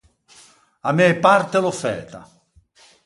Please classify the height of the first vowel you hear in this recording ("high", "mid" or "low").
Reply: low